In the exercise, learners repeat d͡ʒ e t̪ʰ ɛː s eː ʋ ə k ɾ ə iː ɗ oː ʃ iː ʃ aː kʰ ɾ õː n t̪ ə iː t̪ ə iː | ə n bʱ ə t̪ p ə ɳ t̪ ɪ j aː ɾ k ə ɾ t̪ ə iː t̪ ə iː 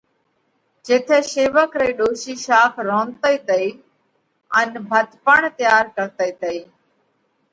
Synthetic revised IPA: d͡ʒ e t̪ʰ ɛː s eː ʋ ə k ɾ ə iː ɗ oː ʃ iː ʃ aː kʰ ɾ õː n t̪ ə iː t̪ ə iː | ə n bʱ ə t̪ p ə ɳ t̪ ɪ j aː ɾ k ə ɾ t̪ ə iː t̪ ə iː